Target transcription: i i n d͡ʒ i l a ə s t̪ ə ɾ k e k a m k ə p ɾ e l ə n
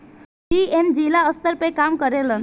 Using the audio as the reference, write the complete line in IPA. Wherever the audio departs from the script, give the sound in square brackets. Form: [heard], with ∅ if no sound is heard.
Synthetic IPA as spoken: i [e] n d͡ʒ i l a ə s t̪ ə ɾ [p] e k a m k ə [∅] ɾ e l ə n